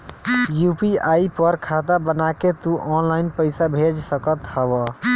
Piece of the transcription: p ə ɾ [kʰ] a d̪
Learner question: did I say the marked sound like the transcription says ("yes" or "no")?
yes